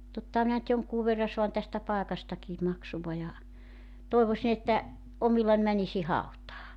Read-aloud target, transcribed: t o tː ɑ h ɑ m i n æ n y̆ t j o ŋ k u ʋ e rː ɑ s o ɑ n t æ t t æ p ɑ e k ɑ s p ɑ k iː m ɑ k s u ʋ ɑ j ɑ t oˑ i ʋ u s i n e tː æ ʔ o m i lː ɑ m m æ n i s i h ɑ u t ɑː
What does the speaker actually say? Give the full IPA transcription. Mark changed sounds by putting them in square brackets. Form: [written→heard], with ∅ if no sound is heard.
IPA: t o tː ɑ h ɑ m i n æ n y̆ t j o ŋ k [u→uː] ʋ e rː ɑ s o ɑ n t æ [t→s] t æ p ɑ e k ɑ s [p→t] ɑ k iː m ɑ k s u ʋ ɑ j ɑ t oˑ i ʋ [u→o] s i n e tː æ ʔ o m i lː ɑ [m→n] m æ n i s i h ɑ u t ɑː